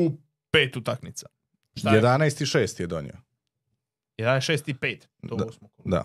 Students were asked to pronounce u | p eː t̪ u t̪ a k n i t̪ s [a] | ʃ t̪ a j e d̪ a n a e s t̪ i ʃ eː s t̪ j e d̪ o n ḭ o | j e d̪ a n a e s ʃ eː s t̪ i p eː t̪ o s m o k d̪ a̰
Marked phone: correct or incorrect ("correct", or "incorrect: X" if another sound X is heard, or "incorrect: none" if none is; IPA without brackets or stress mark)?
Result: correct